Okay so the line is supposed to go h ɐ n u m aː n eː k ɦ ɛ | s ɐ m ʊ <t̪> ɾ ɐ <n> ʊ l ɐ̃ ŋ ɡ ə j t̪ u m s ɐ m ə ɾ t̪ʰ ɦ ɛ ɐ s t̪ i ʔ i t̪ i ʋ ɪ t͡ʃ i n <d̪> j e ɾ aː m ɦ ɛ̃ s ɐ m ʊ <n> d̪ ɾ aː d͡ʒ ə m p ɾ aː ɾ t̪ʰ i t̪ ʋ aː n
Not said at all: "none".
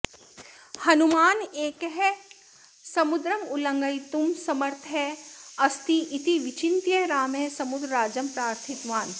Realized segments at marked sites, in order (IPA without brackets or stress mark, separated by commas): d̪, m, t̪, none